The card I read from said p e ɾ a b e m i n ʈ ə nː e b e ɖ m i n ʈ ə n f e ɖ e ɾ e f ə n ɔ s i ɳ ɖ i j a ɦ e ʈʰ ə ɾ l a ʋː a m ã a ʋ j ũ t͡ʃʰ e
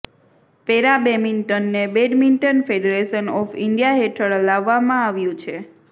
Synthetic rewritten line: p e ɾ a b e m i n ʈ ə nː e b e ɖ m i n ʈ ə n f e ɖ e ɾ e ʃ ə n ɔ f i ɳ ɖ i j a ɦ e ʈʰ ə ɭ l a ʋː a m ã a ʋ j ũ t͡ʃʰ e